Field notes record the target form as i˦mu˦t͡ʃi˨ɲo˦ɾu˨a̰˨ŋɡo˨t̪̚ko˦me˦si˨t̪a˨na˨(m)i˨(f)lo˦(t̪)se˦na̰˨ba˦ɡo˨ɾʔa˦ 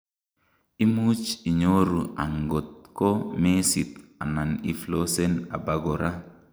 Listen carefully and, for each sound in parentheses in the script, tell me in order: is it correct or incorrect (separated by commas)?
incorrect, correct, incorrect